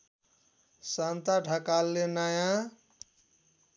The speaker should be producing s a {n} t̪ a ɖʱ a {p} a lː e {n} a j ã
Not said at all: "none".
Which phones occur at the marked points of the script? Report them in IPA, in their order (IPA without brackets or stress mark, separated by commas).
n, k, n